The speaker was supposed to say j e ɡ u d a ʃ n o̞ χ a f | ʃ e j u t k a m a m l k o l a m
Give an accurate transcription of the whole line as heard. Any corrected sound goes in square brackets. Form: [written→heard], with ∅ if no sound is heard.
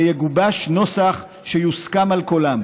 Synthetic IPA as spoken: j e ɡ u [d→b] a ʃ n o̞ [χ→s] a [f→χ] | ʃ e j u [t→s] k a m a [m→∅] l k o l a m